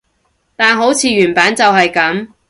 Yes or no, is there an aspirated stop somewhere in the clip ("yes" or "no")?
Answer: yes